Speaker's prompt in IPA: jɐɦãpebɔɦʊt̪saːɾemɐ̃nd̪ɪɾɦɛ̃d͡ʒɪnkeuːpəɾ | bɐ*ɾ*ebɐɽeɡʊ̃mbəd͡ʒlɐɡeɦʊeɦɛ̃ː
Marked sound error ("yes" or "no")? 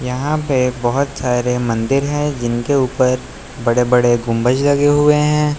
yes